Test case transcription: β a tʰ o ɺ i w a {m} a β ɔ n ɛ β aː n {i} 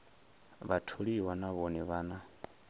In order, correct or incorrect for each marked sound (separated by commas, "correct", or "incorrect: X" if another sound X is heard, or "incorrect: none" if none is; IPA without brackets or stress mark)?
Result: incorrect: n, incorrect: a